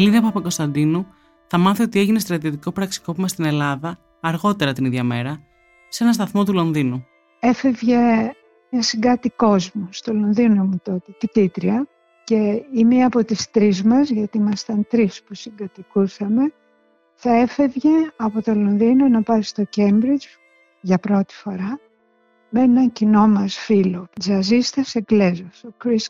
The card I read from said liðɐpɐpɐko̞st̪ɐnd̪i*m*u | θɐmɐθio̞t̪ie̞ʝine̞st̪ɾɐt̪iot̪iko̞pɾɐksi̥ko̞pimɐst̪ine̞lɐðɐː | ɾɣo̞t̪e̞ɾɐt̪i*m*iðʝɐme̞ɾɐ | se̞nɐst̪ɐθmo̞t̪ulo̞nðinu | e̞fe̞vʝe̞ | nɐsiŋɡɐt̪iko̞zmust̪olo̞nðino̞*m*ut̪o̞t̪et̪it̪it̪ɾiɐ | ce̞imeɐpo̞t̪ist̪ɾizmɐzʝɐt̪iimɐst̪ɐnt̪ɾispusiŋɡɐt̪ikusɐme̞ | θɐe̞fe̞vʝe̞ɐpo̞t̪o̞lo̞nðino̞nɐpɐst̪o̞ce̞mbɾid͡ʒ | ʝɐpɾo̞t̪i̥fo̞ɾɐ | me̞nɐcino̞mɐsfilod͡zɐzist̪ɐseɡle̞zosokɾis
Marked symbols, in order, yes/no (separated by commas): no, no, yes